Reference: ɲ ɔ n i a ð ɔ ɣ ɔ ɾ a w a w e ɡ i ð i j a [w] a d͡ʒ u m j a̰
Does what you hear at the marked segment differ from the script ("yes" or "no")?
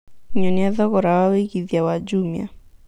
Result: no